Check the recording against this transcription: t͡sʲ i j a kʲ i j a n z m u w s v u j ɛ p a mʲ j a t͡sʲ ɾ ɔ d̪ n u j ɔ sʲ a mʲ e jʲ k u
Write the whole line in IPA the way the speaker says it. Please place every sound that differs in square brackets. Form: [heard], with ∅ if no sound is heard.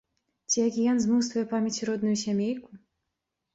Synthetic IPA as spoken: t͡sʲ i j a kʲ i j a n z m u w s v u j ɛ p a mʲ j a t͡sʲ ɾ ɔ d̪ n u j [u] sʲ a mʲ e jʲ k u